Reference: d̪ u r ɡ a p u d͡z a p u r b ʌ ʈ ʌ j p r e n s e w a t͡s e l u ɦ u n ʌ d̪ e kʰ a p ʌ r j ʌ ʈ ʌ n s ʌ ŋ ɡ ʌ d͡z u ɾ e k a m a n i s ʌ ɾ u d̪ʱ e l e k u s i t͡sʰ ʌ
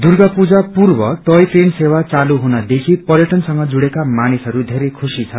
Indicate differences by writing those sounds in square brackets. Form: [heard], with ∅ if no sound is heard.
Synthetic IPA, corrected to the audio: d̪ u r ɡ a p u d͡z a p u r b ʌ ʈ ʌ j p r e n s e w a t͡s [a] l u ɦ u n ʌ d̪ e kʰ [i] p ʌ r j ʌ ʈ ʌ n s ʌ ŋ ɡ ʌ d͡z u [ɽ] e k a m a n i s ʌ ɾ u d̪ʱ e [ɾ] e [kʰ] u s i t͡sʰ ʌ